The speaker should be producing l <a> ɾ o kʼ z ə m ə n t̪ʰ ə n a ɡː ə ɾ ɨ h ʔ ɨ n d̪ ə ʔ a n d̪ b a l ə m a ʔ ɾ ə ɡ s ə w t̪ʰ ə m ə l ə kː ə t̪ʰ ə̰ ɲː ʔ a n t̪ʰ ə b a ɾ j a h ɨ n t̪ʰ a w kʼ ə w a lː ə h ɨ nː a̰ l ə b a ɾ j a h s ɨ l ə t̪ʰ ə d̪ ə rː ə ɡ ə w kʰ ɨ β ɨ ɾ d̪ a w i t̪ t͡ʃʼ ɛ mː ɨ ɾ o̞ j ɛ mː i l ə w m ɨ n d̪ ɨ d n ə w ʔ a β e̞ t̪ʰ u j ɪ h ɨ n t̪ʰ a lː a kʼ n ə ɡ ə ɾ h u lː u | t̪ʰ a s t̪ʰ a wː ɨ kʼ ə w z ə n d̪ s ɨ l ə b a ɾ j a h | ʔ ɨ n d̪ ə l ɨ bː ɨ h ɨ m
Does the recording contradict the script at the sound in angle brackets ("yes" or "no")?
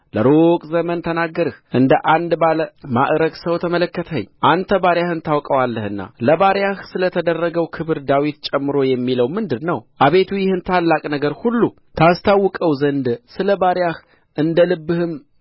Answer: yes